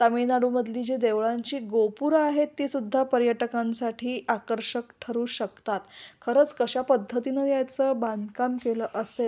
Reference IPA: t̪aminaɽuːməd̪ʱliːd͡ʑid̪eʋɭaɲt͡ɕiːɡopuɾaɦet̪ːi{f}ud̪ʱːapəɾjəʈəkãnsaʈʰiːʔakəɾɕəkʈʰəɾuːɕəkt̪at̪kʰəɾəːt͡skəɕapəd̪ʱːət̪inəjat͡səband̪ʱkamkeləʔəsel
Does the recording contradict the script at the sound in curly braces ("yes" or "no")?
yes